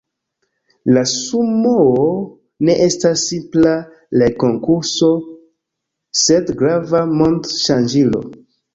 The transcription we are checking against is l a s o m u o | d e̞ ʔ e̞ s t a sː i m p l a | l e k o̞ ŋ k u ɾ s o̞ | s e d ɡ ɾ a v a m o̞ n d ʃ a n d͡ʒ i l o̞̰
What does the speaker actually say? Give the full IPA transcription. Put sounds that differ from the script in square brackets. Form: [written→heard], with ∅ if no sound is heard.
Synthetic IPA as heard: l a s [o→u] m [u→o] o | [d→n] e̞ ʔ e̞ s t a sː i m p l a | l e k o̞ ŋ k u ɾ s o̞ | s e d ɡ ɾ a v a m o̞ n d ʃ a n d͡ʒ i l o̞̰